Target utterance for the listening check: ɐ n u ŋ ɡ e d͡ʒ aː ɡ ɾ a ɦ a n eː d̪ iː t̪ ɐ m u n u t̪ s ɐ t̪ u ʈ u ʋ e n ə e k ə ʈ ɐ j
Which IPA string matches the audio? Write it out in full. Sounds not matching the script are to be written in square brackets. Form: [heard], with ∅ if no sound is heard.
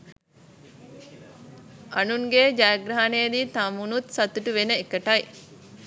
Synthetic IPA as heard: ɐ n u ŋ ɡ e d͡ʒ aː ɡ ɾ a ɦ a n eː d̪ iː t̪ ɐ m u n u t̪ s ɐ t̪ u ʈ u ʋ e n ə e k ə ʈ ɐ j